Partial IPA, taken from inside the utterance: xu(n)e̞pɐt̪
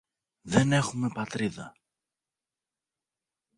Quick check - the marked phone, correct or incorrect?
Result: incorrect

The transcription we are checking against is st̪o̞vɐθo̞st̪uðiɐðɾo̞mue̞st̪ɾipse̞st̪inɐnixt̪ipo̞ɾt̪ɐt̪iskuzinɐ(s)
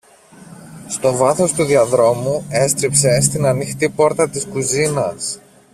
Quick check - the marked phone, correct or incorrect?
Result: correct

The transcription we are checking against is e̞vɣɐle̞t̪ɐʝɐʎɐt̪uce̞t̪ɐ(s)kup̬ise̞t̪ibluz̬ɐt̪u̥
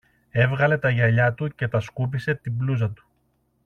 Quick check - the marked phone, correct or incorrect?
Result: correct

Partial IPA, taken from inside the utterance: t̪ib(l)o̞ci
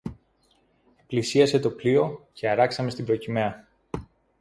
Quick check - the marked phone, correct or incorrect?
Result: incorrect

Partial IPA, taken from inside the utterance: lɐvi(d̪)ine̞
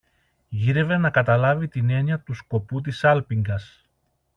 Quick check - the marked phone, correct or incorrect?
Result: incorrect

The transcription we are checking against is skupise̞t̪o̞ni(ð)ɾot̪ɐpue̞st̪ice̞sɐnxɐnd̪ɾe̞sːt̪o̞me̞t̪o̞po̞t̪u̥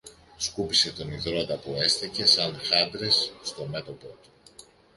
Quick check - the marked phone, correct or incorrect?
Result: correct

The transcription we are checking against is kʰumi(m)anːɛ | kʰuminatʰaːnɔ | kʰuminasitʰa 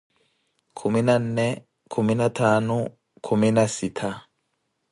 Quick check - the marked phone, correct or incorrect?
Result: incorrect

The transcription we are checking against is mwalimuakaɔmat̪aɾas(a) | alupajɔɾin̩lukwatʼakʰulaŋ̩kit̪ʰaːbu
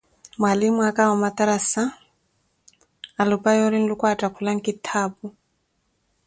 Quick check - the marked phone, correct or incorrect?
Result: correct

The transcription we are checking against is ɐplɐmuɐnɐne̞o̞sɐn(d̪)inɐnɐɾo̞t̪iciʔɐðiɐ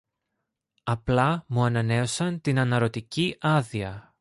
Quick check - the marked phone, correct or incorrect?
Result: incorrect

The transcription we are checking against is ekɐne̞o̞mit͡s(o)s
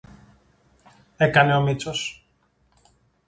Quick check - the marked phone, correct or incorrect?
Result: correct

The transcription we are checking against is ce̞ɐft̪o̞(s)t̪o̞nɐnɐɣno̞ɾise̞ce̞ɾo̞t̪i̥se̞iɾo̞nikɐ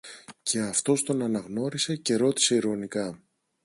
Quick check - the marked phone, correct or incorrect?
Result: correct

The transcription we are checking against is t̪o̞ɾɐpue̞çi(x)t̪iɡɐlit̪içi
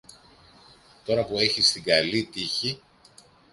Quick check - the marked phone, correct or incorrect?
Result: incorrect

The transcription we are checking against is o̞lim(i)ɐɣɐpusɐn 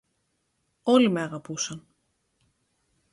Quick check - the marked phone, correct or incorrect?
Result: incorrect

